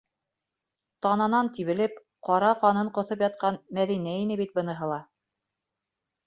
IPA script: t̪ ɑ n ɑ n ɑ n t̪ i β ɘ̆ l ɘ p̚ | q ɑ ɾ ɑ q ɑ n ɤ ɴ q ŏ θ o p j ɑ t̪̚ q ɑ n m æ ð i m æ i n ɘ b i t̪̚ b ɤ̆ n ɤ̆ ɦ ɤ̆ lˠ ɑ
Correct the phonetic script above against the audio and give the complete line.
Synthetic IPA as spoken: t̪ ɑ n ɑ n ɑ n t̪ i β ɘ̆ l ɘ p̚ | q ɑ ɾ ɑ q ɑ n ɤ ɴ q ŏ θ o p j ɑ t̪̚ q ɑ n m æ ð i n æ i n ɘ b i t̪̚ b ɤ̆ n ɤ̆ ɦ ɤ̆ lˠ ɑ